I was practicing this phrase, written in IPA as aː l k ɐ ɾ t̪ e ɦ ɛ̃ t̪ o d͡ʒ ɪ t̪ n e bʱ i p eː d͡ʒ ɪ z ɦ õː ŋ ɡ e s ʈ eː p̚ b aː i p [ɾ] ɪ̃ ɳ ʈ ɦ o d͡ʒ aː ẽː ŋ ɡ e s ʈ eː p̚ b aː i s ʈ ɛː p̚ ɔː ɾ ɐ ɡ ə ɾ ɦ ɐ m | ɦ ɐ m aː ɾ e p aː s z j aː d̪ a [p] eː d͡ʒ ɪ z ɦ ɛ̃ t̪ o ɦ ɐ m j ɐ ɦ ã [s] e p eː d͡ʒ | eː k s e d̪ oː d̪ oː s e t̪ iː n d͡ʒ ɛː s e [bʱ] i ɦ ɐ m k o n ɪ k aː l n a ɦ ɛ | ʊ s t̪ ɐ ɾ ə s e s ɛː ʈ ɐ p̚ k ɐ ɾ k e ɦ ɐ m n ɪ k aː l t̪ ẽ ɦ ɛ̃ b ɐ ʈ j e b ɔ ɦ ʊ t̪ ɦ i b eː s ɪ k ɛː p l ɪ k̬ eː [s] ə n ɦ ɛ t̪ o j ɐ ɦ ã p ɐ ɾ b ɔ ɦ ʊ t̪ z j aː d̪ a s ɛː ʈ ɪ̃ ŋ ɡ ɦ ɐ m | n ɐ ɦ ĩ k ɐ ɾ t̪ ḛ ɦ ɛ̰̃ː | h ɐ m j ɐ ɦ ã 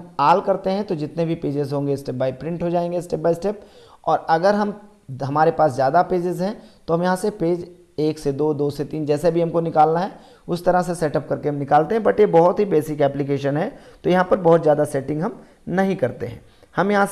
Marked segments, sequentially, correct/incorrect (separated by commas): correct, correct, correct, correct, incorrect